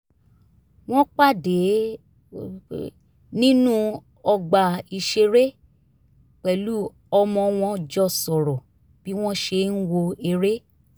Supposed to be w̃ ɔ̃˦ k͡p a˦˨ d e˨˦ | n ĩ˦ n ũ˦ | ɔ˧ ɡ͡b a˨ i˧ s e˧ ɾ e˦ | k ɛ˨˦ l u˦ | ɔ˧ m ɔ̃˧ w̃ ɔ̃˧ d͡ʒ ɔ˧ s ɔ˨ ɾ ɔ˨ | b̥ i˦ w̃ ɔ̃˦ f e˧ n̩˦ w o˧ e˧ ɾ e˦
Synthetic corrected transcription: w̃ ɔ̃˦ k͡p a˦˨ d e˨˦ | n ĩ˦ n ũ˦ | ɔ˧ ɡ͡b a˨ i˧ ʃ e˧ ɾ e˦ | k͡p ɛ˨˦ l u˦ | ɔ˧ m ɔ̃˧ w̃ ɔ̃˧ d͡ʒ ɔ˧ s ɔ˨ ɾ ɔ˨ | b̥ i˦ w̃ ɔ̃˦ ʃ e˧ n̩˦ w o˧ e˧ ɾ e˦